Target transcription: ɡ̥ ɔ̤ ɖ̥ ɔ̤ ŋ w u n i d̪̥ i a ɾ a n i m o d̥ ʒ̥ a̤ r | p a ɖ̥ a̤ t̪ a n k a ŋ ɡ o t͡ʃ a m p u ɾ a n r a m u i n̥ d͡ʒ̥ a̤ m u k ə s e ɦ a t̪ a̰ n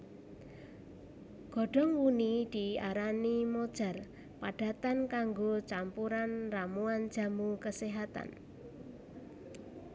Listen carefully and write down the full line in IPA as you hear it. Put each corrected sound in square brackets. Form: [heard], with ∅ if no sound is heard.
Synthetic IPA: ɡ̥ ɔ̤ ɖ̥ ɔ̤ ŋ w u n i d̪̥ i a ɾ a n i m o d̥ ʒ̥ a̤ r | p a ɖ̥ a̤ t̪ a n k a ŋ ɡ o t͡ʃ a m p u ɾ a n r a m u [a] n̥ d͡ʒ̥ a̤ m u k ə s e ɦ a t̪ a̰ n

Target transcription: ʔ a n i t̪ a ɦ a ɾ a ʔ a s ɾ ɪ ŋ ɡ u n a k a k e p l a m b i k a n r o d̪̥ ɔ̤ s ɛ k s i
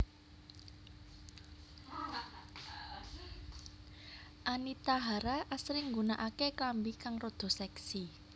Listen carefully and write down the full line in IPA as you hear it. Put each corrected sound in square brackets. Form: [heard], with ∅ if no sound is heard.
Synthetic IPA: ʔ a n i t̪ a ɦ a ɾ a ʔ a s ɾ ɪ ŋ ɡ u n a [ʔ] a k e [k] l a m b i k a [ŋ] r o d̪̥ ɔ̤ s ɛ k s i

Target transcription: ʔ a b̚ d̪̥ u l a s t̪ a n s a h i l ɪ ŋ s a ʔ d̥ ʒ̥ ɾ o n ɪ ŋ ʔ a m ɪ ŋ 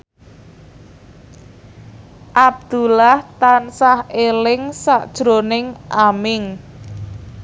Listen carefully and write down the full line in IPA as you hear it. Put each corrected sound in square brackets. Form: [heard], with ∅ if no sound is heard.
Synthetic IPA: ʔ a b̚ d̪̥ u l a [h] t̪ a n s a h [e] l ɪ ŋ s a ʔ d̥ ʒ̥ ɾ o n ɪ ŋ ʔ a m ɪ ŋ

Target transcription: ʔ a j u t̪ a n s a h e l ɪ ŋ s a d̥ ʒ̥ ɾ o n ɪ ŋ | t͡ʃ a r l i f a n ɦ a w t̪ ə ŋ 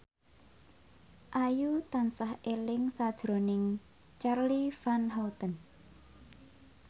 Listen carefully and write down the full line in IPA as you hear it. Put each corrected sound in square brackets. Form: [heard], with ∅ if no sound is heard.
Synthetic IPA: ʔ a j u t̪ a n s a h e l ɪ ŋ s a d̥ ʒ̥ ɾ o n ɪ ŋ | t͡ʃ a r l i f a n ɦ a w t̪ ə [n]

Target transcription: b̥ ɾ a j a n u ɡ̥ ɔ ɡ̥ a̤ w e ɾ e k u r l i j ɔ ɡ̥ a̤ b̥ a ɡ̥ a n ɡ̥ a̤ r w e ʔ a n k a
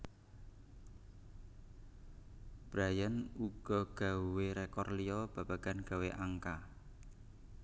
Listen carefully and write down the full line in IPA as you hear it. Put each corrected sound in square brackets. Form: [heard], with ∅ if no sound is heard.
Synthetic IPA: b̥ ɾ a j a n u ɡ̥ ɔ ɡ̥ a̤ w e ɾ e k [ɔ] r l i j ɔ [b̥] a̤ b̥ a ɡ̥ a n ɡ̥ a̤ [∅] w e ʔ a [ŋ] k a

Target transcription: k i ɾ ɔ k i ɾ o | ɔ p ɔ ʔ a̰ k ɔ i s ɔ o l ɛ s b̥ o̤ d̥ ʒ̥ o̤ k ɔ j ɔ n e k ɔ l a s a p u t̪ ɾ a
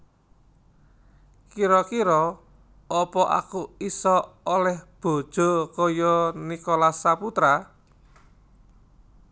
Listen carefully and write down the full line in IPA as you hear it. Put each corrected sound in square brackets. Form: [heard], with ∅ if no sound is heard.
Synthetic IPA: k i ɾ ɔ k i ɾ [ɔ] | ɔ p ɔ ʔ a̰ k [u] i s ɔ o l ɛ [h] b̥ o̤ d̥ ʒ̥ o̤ k ɔ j ɔ n [i] k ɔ l a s a p u t̪ ɾ a

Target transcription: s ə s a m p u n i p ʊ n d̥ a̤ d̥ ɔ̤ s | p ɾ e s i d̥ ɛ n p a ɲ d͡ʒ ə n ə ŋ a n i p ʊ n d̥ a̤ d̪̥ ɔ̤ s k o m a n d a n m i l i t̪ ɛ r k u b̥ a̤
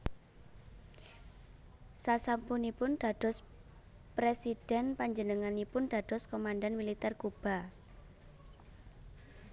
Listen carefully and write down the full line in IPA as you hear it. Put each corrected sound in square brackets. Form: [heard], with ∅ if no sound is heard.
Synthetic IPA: s [a] s a m p u n i p ʊ n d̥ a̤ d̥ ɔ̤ s | p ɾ e s i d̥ ɛ n p a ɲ d͡ʒ ə n ə ŋ a n i p ʊ n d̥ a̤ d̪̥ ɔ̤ s k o m a n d a n m i l i t̪ ɛ r k u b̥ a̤

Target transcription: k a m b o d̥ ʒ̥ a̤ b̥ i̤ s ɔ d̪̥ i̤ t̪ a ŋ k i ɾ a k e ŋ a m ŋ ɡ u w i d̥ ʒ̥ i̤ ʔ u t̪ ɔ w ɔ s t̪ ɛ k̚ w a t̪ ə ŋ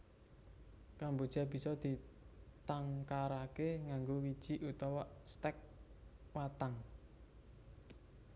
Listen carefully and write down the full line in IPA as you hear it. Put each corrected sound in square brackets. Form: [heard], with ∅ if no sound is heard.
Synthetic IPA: k a m b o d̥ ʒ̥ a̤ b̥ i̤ s ɔ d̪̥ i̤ t̪ a ŋ k [a] ɾ a k e ŋ a [∅] ŋ ɡ [o] w i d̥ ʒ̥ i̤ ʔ u t̪ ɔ w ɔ s t̪ ɛ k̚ w a t̪ [a] ŋ

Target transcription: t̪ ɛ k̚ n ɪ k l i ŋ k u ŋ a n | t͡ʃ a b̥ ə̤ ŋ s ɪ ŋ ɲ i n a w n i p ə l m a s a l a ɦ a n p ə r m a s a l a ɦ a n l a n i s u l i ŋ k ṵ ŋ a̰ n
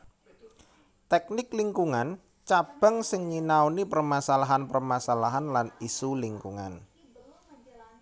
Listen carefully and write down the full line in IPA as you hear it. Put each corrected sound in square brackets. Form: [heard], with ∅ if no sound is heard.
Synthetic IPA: t̪ ɛ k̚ n ɪ k l i ŋ k u ŋ a n | t͡ʃ a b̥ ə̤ ŋ s ɪ ŋ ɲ i n a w n i p ə [r] m a s a l a ɦ a n p ə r m a s a l a ɦ a n l a n i s u l i ŋ k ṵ ŋ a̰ n

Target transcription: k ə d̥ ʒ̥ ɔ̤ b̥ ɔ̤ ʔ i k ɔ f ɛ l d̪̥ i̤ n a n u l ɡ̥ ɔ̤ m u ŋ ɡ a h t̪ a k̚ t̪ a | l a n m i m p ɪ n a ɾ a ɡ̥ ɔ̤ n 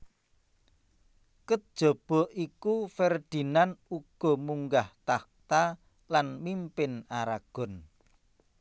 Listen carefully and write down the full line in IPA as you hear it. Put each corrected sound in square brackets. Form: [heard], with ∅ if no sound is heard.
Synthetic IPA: k ə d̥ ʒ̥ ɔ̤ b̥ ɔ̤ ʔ i k [u] f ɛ [r] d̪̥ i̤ n a n u [∅] ɡ̥ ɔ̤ m u ŋ ɡ a h t̪ a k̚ t̪ a | l a n m i m p ɪ n a ɾ a ɡ̥ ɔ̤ n

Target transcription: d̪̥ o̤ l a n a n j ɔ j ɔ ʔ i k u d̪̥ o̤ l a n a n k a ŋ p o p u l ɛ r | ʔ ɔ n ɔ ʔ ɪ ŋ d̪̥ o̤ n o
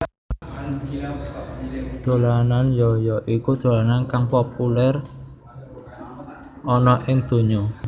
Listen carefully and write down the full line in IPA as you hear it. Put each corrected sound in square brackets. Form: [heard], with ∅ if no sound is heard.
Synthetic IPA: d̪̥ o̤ l a n a n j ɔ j ɔ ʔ i k u d̪̥ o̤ l a n a n k a ŋ p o p u l ɛ r | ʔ ɔ n ɔ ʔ ɪ ŋ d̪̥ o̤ [ɲ] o

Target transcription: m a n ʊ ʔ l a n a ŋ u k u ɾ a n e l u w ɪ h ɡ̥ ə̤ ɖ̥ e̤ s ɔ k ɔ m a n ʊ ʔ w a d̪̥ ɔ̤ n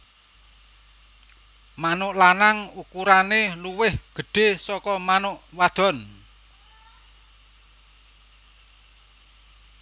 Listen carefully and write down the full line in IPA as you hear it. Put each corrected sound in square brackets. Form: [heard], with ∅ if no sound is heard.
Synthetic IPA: m a n ʊ ʔ l a n a ŋ u k u ɾ a n e l u w ɪ h ɡ̥ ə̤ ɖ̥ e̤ s ɔ k ɔ m a n ʊ ʔ w a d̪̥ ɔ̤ n

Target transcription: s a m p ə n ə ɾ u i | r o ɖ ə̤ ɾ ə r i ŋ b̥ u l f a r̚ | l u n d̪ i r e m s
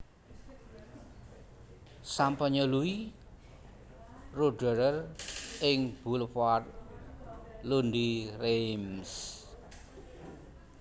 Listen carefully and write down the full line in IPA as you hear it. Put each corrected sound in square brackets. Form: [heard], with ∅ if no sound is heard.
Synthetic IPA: s a m p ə [ɲ] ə [l] u i | r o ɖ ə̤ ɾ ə r [ɪ] ŋ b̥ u l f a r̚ | l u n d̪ i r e m s

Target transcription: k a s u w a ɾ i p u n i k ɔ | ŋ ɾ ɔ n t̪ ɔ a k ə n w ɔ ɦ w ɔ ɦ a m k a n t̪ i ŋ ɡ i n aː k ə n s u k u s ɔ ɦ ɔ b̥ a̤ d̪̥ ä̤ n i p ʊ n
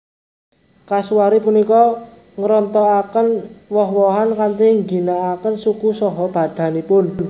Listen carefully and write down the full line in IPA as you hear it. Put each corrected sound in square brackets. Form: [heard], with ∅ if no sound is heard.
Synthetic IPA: k a s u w a ɾ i p u n i k ɔ | ŋ ɾ ɔ n t̪ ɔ a k ə n w ɔ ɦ w ɔ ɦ a [n] k a n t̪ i ŋ ɡ i n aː k ə n s u k u s ɔ ɦ ɔ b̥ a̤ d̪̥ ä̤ n i p ʊ n

